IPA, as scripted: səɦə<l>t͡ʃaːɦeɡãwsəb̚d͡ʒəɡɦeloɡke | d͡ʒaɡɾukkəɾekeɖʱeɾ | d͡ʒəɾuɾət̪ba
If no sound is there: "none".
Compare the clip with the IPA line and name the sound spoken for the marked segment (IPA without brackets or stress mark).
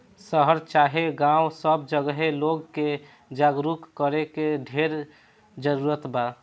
ɾ